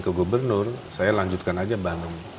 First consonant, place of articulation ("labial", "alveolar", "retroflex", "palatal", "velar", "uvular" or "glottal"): velar